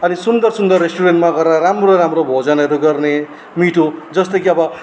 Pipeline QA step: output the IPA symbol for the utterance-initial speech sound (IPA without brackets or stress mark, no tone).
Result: ʌ